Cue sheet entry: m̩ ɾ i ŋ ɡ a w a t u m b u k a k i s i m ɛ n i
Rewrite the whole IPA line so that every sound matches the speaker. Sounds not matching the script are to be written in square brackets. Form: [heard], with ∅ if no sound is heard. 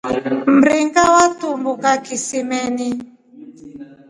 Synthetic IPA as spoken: m̩ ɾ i ŋ ɡ a w a t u m b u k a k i s i m ɛ n i